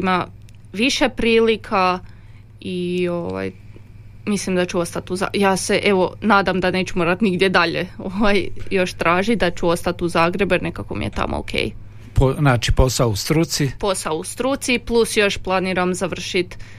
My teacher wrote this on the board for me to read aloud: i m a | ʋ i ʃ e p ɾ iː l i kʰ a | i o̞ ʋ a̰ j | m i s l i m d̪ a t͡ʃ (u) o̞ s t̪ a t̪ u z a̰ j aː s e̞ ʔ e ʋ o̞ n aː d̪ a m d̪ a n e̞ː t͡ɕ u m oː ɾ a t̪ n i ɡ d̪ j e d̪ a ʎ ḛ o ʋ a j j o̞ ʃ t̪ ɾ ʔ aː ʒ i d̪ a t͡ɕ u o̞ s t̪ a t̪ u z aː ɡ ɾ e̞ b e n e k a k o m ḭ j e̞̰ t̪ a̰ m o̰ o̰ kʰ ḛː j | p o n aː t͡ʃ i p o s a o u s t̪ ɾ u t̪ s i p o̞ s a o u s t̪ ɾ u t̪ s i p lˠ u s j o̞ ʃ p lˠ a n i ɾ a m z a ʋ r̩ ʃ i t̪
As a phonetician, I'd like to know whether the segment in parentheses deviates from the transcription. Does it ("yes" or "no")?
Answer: no